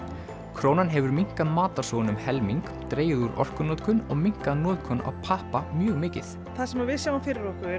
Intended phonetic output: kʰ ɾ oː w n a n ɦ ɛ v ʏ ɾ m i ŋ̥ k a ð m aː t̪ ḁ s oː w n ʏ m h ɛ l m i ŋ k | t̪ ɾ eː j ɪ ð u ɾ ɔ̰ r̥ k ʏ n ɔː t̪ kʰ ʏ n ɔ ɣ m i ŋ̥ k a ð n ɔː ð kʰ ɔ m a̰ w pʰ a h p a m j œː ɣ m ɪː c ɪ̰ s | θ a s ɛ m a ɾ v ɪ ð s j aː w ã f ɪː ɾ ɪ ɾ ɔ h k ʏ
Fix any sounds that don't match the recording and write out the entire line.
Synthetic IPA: kʰ ɾ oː w n a n ɦ ɛ v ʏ ɾ m i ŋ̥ k a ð m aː t̪ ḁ s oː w n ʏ m h ɛ l m i ŋ k | t̪ ɾ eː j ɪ ð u ɾ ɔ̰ r̥ k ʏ n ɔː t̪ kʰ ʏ n ɔ ɣ m i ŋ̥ k a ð n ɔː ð kʰ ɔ n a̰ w pʰ a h p a m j œː ɣ m ɪː c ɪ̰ θ | θ a s ɛ m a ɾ v ɪ ð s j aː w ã f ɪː ɾ ɪ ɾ ɔ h k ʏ